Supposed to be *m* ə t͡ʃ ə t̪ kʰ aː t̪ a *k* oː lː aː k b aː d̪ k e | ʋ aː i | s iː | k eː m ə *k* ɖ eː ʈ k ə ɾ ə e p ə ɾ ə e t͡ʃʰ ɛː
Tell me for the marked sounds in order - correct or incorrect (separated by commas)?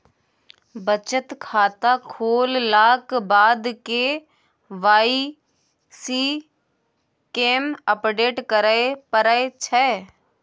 incorrect, incorrect, incorrect